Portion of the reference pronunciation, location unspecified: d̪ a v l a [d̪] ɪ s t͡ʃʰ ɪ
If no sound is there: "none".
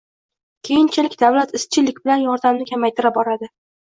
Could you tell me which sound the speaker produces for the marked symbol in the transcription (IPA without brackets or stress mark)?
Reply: t̪